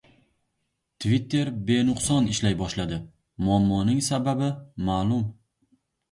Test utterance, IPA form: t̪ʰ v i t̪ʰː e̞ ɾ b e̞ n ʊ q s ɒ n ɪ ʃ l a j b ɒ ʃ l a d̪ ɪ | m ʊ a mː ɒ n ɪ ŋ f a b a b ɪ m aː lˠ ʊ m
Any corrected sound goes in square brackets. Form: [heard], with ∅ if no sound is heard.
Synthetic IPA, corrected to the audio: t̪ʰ v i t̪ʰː e̞ ɾ b e̞ n ʊ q s ɒ n ɪ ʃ l a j b ɒ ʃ l a d̪ ɪ | m ʊ a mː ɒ n ɪ ŋ [s] a b a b ɪ m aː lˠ ʊ m